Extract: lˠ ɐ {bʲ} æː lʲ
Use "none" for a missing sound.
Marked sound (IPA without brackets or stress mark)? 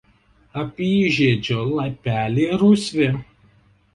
pʲ